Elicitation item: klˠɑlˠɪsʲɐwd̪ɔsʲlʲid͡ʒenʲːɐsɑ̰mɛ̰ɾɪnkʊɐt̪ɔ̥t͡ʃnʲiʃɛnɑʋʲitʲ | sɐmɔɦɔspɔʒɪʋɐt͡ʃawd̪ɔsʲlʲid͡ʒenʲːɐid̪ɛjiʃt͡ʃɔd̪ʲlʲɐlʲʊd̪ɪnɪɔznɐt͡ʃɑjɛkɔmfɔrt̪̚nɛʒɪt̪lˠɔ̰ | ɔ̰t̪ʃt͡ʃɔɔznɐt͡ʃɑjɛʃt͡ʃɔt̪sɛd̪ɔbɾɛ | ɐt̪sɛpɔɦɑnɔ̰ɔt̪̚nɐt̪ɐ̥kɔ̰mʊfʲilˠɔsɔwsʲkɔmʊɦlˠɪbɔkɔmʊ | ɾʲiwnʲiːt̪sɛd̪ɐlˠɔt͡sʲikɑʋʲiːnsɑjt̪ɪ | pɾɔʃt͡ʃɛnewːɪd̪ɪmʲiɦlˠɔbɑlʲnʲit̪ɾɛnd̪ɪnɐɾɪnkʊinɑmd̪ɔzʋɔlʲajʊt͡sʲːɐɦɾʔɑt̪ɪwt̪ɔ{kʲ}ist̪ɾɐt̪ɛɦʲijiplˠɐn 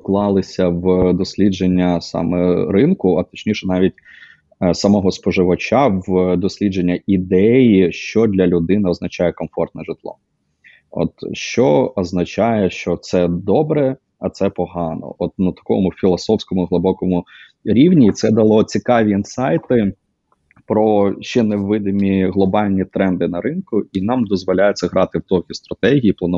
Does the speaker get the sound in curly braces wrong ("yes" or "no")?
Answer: no